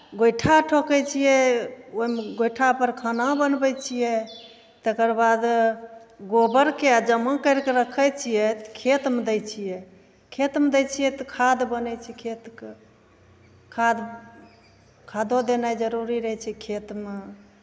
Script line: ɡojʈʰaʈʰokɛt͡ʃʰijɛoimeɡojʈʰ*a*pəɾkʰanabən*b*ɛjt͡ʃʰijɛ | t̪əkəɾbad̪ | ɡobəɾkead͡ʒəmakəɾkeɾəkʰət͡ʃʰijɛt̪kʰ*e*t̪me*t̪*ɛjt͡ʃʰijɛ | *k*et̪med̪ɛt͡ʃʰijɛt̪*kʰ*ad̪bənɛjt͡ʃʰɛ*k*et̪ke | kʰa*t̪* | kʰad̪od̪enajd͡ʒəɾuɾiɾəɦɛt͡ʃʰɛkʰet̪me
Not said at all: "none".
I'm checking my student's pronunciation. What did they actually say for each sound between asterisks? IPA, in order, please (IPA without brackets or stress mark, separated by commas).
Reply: a, b, e, d̪, kʰ, kʰ, kʰ, d̪